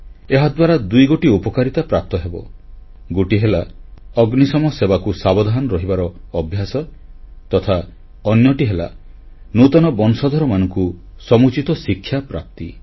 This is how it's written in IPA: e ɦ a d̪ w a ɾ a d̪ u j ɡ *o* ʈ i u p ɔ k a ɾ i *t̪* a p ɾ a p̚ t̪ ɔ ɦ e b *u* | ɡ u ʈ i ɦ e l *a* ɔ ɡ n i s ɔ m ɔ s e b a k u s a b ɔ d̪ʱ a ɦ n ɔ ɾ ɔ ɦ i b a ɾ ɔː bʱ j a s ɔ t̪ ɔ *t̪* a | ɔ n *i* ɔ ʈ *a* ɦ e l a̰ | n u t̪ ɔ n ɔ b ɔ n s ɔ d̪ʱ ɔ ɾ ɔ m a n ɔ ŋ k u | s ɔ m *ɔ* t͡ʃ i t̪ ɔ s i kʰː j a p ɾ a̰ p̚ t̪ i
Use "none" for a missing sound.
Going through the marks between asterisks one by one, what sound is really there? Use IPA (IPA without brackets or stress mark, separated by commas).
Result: o, t̪, ɔ, a, t̪ʰ, j, i, u